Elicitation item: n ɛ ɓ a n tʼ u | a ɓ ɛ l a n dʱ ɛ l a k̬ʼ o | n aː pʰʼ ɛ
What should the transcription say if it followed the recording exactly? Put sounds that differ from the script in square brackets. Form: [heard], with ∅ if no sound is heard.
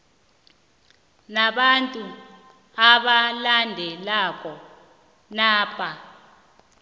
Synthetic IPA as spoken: n [a] ɓ a n tʼ u | a ɓ [a] l a n dʱ ɛ l a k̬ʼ [ɔ] | n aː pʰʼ [a]